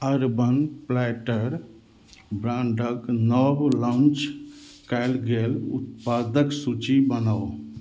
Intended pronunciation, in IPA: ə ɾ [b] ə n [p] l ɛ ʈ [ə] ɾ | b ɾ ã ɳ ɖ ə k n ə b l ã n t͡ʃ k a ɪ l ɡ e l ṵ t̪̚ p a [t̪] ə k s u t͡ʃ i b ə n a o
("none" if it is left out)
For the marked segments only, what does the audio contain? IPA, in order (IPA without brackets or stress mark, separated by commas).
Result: b, p, ə, d̪